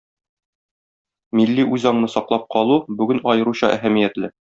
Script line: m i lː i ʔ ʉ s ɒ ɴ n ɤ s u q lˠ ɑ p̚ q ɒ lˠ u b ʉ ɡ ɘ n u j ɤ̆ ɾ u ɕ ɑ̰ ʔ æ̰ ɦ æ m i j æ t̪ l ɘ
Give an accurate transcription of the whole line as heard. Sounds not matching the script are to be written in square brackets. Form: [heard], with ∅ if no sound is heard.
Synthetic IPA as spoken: m i lː i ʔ ʉ [z] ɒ ɴ n ɤ s [ɒ] q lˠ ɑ p̚ q ɒ lˠ u b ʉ ɡ ɘ n [ɒ] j ɤ̆ ɾ u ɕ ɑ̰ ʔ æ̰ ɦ æ m i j æ t̪ l ɘ